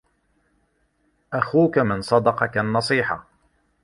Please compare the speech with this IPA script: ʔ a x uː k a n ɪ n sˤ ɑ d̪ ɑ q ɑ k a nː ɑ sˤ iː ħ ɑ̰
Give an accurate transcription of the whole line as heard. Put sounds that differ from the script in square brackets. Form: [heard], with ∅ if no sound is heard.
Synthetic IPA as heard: ʔ a x uː k a [m] ɪ n sˤ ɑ d̪ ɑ q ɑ k a nː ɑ sˤ iː ħ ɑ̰